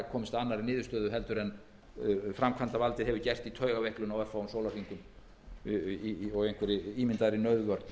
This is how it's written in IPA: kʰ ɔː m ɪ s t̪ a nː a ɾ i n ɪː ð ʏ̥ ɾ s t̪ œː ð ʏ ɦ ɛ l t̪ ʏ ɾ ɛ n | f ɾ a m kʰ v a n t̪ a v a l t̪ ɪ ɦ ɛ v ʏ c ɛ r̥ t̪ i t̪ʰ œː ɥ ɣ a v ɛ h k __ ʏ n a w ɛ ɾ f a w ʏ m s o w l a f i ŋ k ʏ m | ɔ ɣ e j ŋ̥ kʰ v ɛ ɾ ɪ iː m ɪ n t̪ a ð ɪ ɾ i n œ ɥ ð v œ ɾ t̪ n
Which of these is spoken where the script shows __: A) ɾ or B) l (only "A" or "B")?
B